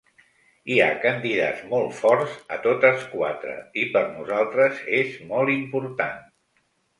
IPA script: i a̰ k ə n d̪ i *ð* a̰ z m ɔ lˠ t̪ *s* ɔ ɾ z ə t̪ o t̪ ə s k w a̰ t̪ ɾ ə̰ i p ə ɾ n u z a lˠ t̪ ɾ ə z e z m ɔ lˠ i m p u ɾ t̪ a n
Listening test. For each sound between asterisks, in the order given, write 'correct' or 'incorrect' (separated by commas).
correct, incorrect